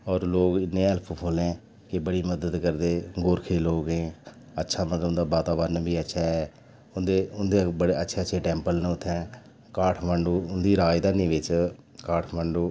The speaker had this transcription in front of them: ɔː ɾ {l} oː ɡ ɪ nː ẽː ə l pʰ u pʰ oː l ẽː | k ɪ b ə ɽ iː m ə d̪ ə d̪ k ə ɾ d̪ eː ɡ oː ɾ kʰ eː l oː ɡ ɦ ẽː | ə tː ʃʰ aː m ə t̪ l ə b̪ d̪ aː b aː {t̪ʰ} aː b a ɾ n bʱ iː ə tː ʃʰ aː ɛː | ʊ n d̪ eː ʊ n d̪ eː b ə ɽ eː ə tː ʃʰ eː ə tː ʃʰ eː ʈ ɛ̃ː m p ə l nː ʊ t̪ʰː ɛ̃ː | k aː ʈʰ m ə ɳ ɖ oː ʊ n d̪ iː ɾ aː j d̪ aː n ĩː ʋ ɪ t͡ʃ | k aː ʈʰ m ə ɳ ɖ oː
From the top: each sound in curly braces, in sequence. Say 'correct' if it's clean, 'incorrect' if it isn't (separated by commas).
correct, incorrect